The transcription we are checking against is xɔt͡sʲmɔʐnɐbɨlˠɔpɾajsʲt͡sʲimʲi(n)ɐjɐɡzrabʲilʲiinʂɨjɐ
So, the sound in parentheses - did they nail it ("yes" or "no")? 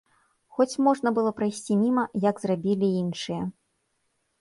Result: no